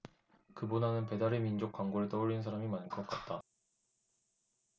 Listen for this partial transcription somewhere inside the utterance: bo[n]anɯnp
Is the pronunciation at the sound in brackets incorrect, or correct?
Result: correct